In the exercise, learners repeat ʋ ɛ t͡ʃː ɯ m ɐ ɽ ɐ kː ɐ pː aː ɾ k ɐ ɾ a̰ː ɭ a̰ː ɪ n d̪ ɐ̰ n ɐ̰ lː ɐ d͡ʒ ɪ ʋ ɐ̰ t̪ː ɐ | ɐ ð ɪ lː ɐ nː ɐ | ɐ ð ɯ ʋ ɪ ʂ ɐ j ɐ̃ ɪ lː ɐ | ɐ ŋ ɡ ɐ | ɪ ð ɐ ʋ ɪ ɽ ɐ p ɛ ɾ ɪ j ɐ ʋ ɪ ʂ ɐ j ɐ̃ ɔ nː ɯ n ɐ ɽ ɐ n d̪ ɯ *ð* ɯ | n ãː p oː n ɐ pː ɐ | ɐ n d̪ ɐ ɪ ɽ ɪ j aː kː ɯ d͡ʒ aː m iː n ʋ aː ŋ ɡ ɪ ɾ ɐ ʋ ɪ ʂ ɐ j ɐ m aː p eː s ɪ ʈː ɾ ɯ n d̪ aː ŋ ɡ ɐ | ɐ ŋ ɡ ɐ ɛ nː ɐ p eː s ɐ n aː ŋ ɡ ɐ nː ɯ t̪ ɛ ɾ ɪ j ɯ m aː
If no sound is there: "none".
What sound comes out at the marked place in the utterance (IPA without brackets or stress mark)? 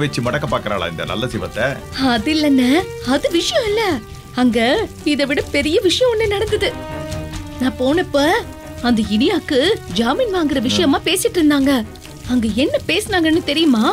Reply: ð